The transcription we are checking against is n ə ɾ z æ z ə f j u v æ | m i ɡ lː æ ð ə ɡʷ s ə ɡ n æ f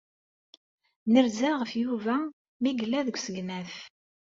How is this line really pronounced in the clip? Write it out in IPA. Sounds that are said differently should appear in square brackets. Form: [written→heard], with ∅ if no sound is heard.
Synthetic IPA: n ə ɾ z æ [z→ʁ] ə f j u v æ | m i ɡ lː æ ð ə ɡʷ s ə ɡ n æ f